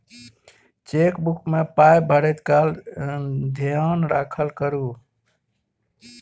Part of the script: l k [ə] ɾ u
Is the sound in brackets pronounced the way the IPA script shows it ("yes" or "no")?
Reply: yes